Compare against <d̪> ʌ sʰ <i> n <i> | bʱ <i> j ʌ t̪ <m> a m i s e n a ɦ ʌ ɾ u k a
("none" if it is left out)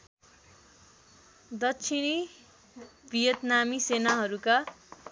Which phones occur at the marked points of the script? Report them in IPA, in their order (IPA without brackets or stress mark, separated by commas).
d̪, i, i, i, n